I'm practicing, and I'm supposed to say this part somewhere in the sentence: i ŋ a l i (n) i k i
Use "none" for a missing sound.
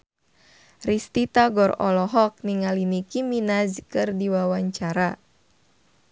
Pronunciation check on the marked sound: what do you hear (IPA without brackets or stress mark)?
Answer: n